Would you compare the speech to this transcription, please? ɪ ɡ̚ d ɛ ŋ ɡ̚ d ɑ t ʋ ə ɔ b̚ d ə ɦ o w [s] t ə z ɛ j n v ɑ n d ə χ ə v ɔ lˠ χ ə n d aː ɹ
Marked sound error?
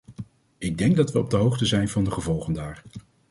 yes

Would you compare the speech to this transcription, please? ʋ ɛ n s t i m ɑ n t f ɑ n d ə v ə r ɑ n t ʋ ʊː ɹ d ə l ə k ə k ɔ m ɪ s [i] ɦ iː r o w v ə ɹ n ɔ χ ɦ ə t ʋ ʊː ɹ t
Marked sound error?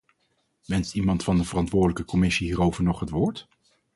no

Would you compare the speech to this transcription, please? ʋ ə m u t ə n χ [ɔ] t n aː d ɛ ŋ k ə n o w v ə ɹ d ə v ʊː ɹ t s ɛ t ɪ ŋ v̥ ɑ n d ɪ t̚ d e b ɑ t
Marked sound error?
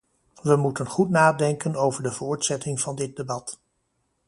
yes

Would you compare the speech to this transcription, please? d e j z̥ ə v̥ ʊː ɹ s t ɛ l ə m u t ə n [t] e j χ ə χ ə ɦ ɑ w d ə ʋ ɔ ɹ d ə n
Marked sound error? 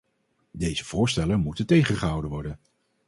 no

